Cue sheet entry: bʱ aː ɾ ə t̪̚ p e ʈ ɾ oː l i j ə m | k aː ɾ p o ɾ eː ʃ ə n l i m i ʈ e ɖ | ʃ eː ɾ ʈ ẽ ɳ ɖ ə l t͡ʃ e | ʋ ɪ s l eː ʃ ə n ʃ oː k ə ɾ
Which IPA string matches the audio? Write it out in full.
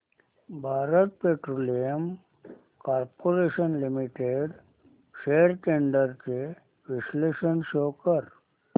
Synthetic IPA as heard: bʱ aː ɾ ə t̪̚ p e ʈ ɾ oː l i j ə m | k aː ɾ p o ɾ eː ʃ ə n l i m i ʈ e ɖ | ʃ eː ɾ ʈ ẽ ɳ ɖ ə ɾ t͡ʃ e | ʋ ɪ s l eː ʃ ə n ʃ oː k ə ɾ